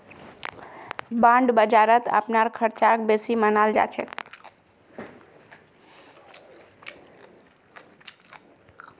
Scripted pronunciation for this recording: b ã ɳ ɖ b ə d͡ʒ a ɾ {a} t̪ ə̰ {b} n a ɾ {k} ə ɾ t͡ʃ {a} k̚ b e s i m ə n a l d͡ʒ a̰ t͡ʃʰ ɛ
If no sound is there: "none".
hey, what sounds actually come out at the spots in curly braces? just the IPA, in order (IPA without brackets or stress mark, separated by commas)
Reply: ə, p, kʰ, a